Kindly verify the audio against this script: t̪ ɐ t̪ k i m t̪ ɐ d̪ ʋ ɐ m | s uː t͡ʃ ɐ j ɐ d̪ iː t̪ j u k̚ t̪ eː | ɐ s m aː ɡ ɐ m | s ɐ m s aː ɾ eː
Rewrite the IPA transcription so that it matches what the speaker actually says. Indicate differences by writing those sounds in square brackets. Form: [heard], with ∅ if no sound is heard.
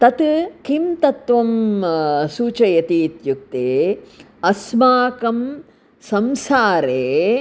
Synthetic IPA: t̪ ɐ t̪ k i m t̪ ɐ [t̪] ʋ ɐ m | s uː t͡ʃ ɐ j ɐ [t̪] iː t̪ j u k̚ t̪ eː | ɐ s m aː [k] ɐ m | s ɐ m s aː ɾ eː